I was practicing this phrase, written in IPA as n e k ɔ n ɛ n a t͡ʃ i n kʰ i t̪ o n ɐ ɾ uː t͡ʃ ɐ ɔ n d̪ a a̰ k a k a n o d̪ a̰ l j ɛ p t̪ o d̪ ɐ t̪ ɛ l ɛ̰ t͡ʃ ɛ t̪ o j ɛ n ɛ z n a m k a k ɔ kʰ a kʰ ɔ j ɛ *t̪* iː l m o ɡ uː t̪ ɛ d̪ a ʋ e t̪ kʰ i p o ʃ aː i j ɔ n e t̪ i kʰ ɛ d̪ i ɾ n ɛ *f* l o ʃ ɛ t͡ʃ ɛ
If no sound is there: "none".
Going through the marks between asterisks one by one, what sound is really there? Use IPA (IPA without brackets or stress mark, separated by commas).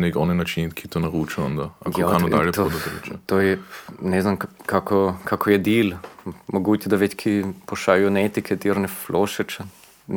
d̪, f